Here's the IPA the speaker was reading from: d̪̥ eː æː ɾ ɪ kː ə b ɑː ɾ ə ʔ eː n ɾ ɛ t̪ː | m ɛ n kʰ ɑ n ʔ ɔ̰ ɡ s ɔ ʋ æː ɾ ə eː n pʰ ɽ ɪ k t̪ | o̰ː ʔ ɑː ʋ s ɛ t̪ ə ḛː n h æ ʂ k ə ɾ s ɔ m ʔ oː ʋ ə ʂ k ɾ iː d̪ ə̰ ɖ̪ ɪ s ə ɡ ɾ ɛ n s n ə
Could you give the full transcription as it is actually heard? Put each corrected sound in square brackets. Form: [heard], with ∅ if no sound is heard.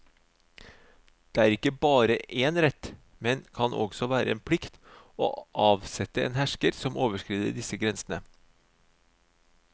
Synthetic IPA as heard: d̪̥ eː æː ɾ ɪ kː ə b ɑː ɾ ə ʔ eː n ɾ ɛ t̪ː | m ɛ n kʰ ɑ n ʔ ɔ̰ ɡ s ɔ ʋ æː ɾ ə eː n pʰ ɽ ɪ k t̪ | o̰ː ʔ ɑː ʋ s ɛ t̪ ə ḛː n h æ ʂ k ə ɾ s ɔ m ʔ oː ʋ ə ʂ k ɾ iː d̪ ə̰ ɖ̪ ɪ s ə ɡ ɾ ɛ n s n ə